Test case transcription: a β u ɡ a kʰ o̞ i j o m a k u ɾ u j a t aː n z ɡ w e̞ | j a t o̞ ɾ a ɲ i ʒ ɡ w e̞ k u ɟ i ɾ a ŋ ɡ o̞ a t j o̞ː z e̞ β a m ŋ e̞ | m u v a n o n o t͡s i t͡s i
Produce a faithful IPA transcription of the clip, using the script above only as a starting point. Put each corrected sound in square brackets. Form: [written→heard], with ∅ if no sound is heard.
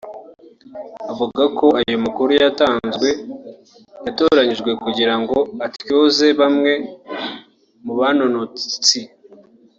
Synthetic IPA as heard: a [β→v] u ɡ a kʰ o̞ [i→a] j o m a k u ɾ u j a t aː n z ɡ w e̞ | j a t o̞ ɾ a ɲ i ʒ ɡ w e̞ k u ɟ i ɾ a ŋ ɡ o̞ a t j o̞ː z e̞ β a m ŋ e̞ | m u [v→β] a n o n o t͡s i t͡s i

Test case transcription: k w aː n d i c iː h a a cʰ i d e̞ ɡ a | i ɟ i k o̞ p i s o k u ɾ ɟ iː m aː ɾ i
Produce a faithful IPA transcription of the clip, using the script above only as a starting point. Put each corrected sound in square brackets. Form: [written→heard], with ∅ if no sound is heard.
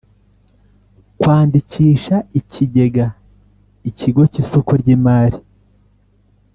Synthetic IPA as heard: k w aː n d i c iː [h→ʃ] a [a→i] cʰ i [d→ɟ] e̞ ɡ a | i [ɟ→c] i [k→ɡ] o̞ [p→c] i s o k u ɾ ɟ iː m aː ɾ i

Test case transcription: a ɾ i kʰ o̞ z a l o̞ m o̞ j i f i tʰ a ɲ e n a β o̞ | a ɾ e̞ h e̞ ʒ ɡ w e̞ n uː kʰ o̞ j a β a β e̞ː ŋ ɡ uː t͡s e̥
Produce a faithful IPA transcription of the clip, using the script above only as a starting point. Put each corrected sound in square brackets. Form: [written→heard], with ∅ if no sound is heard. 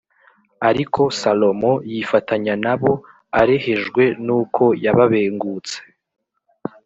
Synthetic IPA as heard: a ɾ i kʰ o̞ [z→s] a l o̞ m o̞ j i f [i→a] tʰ a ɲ [e→a] n a β o̞ | a ɾ e̞ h e̞ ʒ ɡ w e̞ n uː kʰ o̞ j a β a β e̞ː ŋ ɡ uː t͡s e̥

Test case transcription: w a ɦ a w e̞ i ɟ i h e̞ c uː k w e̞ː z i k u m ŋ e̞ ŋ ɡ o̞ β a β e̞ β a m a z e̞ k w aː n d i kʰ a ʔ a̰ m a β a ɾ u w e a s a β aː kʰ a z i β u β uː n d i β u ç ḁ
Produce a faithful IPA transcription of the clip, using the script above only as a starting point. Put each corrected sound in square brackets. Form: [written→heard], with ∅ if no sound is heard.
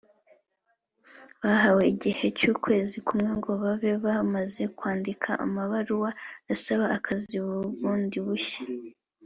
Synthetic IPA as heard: [w→β] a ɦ a w e̞ i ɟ i h e̞ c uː k w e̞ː z i k u m ŋ e̞ ŋ ɡ o̞ β a β e̞ β a m a z e̞ k w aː n d i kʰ a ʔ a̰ m a β a ɾ u w [e→a] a s a β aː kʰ a z i β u β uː n d i β u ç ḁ

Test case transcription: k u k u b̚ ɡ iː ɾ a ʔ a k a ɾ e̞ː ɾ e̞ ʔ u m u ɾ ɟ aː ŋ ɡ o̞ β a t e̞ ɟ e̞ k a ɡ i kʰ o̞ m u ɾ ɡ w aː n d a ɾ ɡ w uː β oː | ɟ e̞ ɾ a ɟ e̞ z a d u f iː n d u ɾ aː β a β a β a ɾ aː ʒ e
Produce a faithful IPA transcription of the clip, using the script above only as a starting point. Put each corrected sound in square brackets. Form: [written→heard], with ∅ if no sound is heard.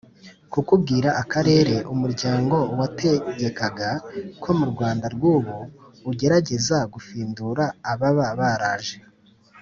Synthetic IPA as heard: k u k u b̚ ɡ iː ɾ a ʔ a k a ɾ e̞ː ɾ e̞ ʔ u m u ɾ ɟ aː ŋ ɡ o̞ [β→w] a t e̞ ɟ e̞ k a ɡ [i→a] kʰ o̞ m u ɾ ɡ w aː n d a ɾ ɡ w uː β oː | ɟ e̞ ɾ a ɟ e̞ z a [d→ɡ] u f iː n d u ɾ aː β a β a β a ɾ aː ʒ e

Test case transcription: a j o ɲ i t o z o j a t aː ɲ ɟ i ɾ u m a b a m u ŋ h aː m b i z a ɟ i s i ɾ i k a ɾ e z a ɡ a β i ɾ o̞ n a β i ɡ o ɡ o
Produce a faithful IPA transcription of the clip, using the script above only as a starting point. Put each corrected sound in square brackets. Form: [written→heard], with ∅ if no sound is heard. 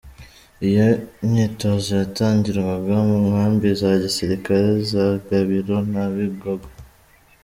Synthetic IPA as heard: [a→i] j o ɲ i t o z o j a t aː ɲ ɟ i ɾ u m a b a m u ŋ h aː m b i z a ɟ i s i ɾ i k a ɾ e z a ɡ a β i ɾ o̞ n a β i ɡ o ɡ o

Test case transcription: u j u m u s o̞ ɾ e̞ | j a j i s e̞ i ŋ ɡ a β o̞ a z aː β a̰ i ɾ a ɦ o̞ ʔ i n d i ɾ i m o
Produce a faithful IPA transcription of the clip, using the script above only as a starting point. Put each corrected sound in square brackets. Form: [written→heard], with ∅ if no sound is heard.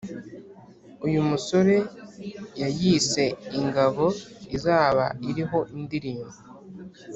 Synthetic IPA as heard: u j u m u s o̞ ɾ e̞ | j a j i s e̞ i ŋ ɡ a β o̞ [a→i] z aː β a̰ i ɾ [a→i] ɦ o̞ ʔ i n d i ɾ [i→iː] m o

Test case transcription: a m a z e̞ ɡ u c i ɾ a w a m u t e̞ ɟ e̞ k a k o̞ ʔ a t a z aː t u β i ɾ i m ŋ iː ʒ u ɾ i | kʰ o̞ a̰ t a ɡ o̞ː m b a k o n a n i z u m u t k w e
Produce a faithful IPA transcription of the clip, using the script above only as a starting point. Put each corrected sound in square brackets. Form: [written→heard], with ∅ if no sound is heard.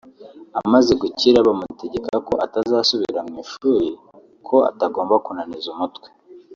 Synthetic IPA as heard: a m a z e̞ ɡ u c i ɾ a [w→β] a m u t e̞ ɟ e̞ k a k o̞ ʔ a t a z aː [t→s] u β i ɾ [i→a] m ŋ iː [ʒ→ʃ] u ɾ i | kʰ o̞ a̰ t a ɡ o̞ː m b a k [o→u] n a n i z u m u t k w e

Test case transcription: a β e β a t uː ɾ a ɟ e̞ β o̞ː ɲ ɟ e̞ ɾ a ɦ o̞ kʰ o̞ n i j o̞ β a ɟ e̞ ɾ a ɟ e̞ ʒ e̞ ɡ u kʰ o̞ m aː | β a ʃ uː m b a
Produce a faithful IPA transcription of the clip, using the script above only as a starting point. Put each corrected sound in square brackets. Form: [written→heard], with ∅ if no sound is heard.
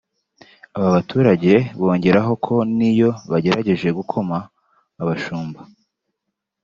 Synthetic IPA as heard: a β [e→a] β a t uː ɾ a ɟ e̞ β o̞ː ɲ ɟ e̞ ɾ a ɦ o̞ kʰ o̞ n i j o̞ β a ɟ e̞ ɾ a ɟ e̞ ʒ e̞ ɡ u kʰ o̞ m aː | β a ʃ uː m b a

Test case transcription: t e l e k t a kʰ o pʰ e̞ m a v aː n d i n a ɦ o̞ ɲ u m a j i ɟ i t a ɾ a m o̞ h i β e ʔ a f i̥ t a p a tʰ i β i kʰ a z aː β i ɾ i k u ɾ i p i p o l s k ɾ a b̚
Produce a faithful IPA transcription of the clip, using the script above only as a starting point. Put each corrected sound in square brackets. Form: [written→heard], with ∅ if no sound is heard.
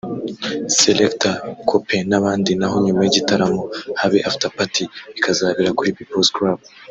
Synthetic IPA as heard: [t→s] e l e k t a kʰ o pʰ e̞ [m→n] a [v→β] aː n d i n a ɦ o̞ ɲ u m a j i ɟ i t a ɾ a m o̞ h [i→a] β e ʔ a f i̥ t a p a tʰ i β i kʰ a z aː β i ɾ [i→a] k u ɾ i p i p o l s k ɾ a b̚

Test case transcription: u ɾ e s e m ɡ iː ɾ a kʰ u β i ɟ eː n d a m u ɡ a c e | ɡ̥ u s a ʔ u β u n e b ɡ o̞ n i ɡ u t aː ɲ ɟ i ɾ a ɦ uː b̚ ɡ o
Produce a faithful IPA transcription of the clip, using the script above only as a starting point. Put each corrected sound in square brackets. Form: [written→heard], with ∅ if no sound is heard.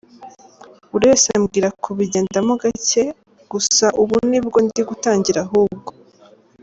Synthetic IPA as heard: u ɾ e s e m ɡ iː ɾ a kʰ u β i ɟ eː n d a m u ɡ a c e | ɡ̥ u s a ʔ u β u n [e→i] b ɡ o̞ n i ɡ u t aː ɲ ɟ i ɾ a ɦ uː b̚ ɡ o

